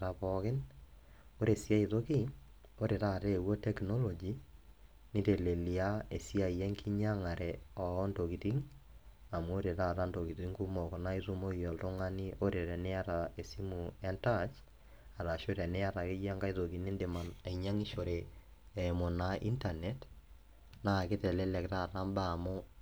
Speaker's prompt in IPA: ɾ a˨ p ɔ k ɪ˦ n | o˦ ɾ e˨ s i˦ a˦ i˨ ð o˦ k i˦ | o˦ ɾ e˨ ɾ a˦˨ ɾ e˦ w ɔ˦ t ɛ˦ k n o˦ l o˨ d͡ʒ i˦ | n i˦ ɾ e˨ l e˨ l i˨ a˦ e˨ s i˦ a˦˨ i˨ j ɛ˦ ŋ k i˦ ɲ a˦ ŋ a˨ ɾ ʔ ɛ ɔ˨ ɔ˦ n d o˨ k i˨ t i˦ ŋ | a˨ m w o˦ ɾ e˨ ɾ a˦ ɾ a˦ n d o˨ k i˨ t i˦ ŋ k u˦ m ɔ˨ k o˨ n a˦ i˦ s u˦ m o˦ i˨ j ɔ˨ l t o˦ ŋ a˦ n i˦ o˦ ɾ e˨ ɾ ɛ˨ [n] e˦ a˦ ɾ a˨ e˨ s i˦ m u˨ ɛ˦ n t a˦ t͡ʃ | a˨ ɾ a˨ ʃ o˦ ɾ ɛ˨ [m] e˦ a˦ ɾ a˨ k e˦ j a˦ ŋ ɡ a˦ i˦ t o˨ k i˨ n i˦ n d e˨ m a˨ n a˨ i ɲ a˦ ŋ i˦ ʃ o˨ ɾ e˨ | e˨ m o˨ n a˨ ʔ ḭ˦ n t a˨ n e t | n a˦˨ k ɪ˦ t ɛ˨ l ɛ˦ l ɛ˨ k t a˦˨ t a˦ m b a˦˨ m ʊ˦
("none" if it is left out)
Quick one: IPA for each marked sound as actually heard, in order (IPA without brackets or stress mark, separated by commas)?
n, n